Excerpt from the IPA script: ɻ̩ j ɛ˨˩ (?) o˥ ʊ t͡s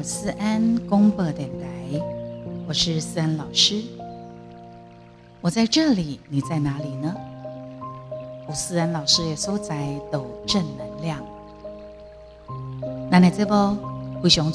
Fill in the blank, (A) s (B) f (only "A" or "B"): A